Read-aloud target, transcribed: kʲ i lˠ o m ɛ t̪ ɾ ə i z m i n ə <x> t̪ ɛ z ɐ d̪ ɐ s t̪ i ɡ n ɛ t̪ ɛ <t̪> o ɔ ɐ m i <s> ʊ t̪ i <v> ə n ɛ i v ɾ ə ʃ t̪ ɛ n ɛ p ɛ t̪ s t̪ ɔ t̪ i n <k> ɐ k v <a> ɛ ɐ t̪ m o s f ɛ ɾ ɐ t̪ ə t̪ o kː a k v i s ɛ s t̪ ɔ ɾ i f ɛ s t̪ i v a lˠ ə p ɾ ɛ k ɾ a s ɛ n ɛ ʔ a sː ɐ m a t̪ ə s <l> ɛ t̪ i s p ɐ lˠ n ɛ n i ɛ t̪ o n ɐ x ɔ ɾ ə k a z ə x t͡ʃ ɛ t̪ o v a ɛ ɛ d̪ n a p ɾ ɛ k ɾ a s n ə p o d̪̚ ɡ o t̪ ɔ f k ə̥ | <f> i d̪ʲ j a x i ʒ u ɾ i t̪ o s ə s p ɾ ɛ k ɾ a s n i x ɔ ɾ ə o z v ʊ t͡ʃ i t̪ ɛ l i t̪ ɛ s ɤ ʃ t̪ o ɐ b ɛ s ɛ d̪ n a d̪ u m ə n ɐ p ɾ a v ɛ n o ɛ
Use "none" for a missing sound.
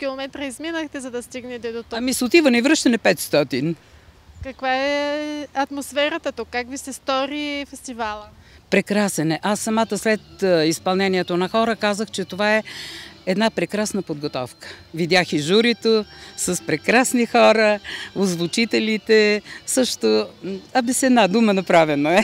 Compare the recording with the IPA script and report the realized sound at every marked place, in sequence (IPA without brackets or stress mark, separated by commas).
x, d̪, s, v, k, a, l, v